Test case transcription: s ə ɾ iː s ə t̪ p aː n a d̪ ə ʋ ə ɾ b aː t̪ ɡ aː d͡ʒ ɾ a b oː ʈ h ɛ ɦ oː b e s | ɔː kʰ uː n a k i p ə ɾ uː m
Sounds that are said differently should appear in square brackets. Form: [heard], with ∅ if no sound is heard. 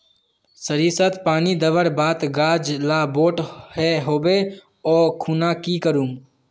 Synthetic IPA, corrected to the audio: s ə ɾ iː s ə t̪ p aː n [i] d̪ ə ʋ ə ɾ b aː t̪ ɡ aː d͡ʒ [l] a b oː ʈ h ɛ ɦ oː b e [∅] | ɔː kʰ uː n a k i [k] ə ɾ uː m